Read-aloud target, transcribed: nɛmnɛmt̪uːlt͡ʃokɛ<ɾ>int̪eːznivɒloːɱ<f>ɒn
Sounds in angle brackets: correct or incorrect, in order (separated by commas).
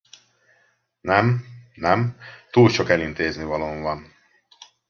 incorrect, incorrect